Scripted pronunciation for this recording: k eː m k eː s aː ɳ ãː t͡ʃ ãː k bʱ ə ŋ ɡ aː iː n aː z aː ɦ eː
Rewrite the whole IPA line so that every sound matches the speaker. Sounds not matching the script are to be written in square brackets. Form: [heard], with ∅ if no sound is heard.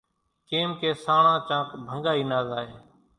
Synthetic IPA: k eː m k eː s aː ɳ ãː t͡ʃ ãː k bʱ ə ŋ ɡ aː iː n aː z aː ɦ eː